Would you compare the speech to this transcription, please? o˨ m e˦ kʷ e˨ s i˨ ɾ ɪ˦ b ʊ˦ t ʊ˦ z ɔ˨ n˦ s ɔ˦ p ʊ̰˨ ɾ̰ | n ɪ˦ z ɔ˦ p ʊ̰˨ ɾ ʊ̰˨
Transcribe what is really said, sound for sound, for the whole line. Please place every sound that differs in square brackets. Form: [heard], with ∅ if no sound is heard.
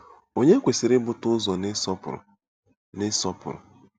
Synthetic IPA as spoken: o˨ [ɲ] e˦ kʷ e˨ s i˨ ɾ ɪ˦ b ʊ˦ t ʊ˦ z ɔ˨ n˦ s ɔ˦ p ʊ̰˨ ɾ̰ | n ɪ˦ [s] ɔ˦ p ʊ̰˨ ɾ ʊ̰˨